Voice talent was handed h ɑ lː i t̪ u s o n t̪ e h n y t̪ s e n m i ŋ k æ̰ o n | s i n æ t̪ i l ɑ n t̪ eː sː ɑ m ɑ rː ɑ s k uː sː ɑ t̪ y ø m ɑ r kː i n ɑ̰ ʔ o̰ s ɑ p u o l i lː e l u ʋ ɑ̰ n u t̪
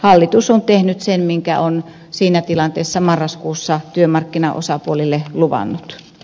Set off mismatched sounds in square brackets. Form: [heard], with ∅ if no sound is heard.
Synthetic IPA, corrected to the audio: h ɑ lː i t̪ u s o n t̪ e h n y t̪ s e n m i ŋ k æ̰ o n | s [iː] n æ t̪ i l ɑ n t̪ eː sː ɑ m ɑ rː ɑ s k uː sː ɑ t̪ y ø m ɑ r kː i n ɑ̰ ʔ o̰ s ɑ p u o l i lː e l u ʋ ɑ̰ [nː] u t̪

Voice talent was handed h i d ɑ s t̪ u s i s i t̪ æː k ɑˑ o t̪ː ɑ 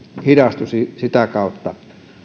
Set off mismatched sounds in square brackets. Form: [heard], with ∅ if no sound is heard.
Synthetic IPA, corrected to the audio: h i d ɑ s t̪ u s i s i t̪ [æ] k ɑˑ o t̪ː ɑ

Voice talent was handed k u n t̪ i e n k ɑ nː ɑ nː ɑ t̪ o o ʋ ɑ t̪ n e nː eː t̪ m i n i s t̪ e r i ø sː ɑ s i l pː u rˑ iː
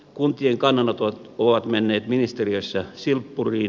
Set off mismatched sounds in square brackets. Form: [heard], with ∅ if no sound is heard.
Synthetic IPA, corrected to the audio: k u n t̪ i e [ŋ] k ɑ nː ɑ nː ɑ t̪ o o ʋ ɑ t̪ [m] e nː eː t̪ m i n i s t̪ e r i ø sː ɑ s i l pː u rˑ iː

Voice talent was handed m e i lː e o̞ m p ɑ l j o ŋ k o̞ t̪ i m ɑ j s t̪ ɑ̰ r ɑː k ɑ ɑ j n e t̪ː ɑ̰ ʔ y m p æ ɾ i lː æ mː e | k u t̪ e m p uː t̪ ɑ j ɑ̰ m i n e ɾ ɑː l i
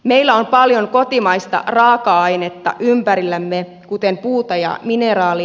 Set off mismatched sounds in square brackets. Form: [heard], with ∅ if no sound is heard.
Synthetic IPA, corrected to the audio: m e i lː [æ] o̞ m p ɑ l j o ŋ k o̞ t̪ i m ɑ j s t̪ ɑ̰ r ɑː k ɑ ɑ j n e t̪ː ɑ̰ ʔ y m p æ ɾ i lː æ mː e | k u t̪ e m p uː t̪ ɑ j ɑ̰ m i n e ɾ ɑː l i

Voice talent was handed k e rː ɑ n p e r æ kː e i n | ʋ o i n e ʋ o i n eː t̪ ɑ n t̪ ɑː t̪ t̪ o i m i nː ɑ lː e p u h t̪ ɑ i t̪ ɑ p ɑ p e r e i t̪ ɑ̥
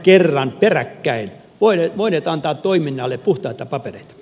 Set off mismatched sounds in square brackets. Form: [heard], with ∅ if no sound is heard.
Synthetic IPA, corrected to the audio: k e rː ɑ n p e r æ kː [æ] i n | ʋ o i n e ʋ o i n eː t̪ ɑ n t̪ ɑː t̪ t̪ o i m i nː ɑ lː e p u h t̪ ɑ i t̪ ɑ p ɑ p e r e i t̪ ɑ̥

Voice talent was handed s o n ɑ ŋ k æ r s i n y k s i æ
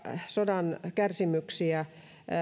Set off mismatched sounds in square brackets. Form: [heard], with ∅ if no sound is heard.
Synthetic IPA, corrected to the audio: s o [d] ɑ [n] k æ r s i [m] y k s i æ

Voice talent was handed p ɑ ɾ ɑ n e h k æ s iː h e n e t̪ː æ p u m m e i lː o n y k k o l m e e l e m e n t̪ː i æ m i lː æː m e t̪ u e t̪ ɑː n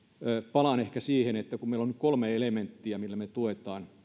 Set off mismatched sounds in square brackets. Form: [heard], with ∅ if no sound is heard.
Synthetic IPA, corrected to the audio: p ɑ [l] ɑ n e h k æ s iː h e n e t̪ː æ [k] u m m e i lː o n y k k o l m e e l e m e n t̪ː i æ m i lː [æ] m e t̪ u e t̪ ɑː n

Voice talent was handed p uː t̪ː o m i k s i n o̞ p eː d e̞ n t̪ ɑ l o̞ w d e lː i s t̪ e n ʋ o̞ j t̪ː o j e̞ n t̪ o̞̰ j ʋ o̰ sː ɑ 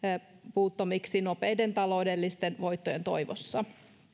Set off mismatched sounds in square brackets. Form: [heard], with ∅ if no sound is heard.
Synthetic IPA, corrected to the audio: p uː t̪ː o m i k s i n o̞ p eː d e̞ n t̪ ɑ l o̞ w d e lː i s t̪ e n ʋ o̞ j t̪ː o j e̞ n t̪ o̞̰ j ʋ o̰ sː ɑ

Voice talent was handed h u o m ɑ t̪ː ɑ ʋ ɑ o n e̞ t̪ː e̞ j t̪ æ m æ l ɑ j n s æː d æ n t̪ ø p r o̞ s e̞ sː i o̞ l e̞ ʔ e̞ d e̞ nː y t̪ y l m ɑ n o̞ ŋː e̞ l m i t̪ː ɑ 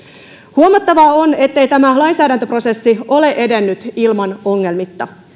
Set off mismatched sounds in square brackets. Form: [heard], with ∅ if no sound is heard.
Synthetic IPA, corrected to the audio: h u o m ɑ t̪ː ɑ ʋ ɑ o n e̞ t̪ː e̞ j t̪ æ m æ l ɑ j n s æː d æ n t̪ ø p r o̞ s e̞ sː i o̞ l e̞ ʔ e̞ d e̞ nː y t̪ [i] l m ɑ n o̞ ŋː e̞ l m i t̪ː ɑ

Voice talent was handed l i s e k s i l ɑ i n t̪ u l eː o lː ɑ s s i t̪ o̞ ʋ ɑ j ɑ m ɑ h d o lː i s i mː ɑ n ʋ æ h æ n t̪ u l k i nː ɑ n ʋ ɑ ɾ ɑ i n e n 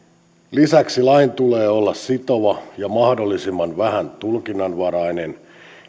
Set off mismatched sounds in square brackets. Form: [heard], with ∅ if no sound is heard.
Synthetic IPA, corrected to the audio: l i s [æ] k s i l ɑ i n t̪ u l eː o lː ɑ s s i t̪ o̞ ʋ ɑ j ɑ m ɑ h d o lː i s i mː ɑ n ʋ æ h æ n t̪ u l k i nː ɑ n ʋ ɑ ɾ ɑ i n e n

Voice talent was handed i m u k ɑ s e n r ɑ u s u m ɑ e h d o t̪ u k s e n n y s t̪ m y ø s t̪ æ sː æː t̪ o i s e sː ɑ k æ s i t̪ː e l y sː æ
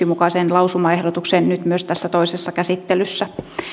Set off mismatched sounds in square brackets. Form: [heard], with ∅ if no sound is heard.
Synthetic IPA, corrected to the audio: i m u k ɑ s e n [l] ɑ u s u m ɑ e h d o t̪ u k s e n n y [∅] t̪ m y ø s t̪ æ sː [æ] t̪ o i s e sː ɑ k æ s i t̪ː e l y sː æ

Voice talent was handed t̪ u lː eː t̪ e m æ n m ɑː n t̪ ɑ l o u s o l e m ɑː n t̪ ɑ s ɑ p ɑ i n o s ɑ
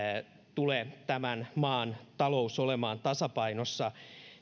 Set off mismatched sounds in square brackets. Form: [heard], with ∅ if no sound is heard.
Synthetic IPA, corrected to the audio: t̪ u [l] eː t̪ [æ] m æ n m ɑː n t̪ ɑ l o u s o l e m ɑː n t̪ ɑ s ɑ p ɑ i n o [sː] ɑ

